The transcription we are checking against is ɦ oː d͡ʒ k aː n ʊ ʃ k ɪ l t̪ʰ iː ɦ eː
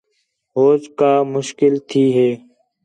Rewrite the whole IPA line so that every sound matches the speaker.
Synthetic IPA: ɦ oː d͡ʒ k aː m ʊ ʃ k ɪ l t̪ʰ iː ɦ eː